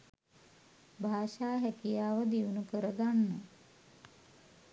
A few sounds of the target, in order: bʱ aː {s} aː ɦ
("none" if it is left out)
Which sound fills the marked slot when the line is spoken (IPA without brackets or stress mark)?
ʃ